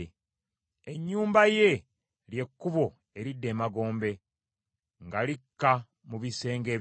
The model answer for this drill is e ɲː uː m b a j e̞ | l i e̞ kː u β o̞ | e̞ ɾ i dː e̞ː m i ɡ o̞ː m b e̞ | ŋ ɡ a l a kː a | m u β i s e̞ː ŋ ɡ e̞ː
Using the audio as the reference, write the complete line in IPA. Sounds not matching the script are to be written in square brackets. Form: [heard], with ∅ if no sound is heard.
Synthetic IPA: e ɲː uː m b a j e̞ | l [j] e̞ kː u β o̞ | e̞ ɾ i dː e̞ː m [a] ɡ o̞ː m b e̞ | ŋ ɡ a l [i] kː a | m u β i s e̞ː ŋ ɡ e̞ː